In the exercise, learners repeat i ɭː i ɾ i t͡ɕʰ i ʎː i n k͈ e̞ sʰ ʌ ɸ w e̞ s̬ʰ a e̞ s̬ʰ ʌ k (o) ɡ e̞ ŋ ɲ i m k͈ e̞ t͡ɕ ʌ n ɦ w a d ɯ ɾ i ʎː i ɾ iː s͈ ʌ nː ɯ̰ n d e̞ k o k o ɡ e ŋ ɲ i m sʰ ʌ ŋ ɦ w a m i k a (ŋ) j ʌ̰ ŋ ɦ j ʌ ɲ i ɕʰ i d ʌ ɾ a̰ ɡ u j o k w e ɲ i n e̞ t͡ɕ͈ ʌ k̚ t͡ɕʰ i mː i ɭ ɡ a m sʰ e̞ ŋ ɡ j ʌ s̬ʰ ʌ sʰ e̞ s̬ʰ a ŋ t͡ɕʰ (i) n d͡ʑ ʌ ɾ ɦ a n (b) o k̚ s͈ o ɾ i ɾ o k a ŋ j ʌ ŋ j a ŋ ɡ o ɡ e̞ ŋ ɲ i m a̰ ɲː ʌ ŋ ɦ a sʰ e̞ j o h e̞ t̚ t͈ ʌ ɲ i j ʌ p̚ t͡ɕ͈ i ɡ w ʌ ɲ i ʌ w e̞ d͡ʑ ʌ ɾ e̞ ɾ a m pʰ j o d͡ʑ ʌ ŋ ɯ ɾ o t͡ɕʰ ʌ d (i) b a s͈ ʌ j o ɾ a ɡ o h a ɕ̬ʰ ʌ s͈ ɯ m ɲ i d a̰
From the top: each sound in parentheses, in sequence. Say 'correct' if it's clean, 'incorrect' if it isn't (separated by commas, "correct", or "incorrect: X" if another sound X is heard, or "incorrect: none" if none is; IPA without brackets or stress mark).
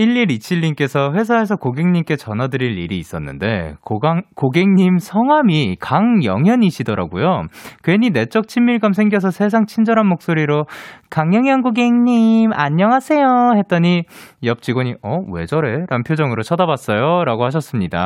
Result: correct, correct, correct, incorrect: m, incorrect: a